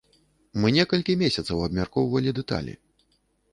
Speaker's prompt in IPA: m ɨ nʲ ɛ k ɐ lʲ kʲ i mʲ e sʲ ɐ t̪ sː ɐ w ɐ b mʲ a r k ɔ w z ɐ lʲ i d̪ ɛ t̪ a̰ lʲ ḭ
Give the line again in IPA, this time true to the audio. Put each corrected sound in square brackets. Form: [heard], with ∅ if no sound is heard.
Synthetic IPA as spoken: m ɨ nʲ ɛ k ɐ lʲ kʲ i mʲ e sʲ ɐ t̪ [s] ɐ w ɐ b mʲ a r k ɔ w [v] ɐ lʲ i d̪ ɛ t̪ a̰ lʲ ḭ